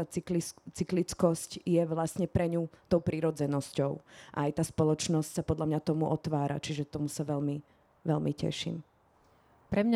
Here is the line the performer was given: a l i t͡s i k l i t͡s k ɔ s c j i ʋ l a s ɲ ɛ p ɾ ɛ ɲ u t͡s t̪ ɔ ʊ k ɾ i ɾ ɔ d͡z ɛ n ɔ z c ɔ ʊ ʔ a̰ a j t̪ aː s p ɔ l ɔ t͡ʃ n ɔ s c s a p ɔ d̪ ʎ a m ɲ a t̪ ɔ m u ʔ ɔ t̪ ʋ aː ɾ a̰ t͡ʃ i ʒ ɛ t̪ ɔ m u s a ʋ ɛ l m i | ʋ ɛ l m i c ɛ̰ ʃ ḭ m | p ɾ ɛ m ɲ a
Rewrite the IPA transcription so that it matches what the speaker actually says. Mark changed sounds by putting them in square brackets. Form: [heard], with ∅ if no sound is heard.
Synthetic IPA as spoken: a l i t͡s i k l i t͡s k ɔ s c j [ɛ] ʋ l a s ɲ ɛ p ɾ ɛ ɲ u [∅] t̪ ɔ ʊ [p] ɾ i ɾ ɔ d͡z ɛ n ɔ [s] c ɔ ʊ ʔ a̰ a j t̪ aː s p ɔ l ɔ t͡ʃ n ɔ s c s a p ɔ d̪ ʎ a m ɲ a t̪ ɔ m u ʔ ɔ t̪ ʋ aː ɾ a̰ t͡ʃ i ʒ ɛ t̪ ɔ m u s a ʋ ɛ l m i | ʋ ɛ l m i c ɛ̰ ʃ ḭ m | p ɾ ɛ m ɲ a